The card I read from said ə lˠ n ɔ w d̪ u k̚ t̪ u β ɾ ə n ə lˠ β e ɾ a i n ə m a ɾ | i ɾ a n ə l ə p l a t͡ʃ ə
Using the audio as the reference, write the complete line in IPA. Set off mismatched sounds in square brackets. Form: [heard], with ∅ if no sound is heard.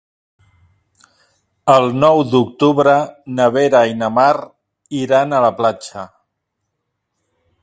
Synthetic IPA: ə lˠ n ɔ w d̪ u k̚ t̪ u β ɾ ə n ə [∅] β e ɾ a i n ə m a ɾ | i ɾ a n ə l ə p l a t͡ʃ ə